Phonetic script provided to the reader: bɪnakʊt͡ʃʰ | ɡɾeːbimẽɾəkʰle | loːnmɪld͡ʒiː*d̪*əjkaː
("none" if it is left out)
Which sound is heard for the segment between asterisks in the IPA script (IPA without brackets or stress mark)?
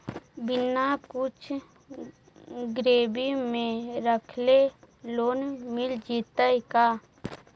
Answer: t̪